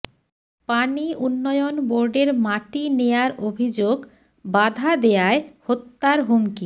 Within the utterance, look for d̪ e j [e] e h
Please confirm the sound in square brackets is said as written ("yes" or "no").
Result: no